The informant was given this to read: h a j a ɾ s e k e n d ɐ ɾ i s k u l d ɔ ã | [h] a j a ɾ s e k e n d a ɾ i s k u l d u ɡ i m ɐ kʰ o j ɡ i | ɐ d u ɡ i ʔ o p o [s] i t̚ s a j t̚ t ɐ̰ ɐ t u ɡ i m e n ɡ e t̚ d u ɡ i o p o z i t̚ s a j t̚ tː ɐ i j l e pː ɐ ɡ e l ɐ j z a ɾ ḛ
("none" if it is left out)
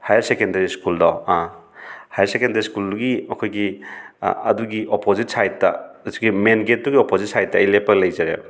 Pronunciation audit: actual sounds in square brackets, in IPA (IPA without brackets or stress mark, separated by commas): h, z